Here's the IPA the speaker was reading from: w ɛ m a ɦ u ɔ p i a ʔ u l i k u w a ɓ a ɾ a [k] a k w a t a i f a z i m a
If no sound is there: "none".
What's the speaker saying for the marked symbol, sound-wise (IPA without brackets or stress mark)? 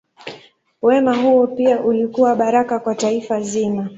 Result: k